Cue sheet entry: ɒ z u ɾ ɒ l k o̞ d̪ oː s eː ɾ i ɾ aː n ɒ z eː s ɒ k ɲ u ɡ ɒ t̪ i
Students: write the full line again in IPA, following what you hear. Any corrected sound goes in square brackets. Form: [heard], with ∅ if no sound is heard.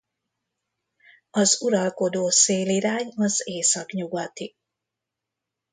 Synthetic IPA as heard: ɒ z u ɾ ɒ l k o̞ d̪ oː s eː [l] i ɾ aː [ɲ] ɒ z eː s ɒ k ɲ u ɡ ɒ t̪ i